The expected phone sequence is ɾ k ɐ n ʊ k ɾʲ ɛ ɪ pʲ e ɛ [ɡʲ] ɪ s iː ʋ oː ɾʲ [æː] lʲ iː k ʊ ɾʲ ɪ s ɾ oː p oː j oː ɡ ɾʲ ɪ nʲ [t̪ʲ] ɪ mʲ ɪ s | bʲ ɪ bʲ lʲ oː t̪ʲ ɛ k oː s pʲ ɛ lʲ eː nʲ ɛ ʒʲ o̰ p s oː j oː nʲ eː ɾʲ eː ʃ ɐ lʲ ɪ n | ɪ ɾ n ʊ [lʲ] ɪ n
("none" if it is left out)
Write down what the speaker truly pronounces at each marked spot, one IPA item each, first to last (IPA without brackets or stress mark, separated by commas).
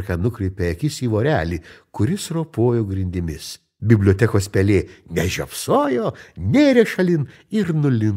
kʲ, æː, d̪ʲ, lʲ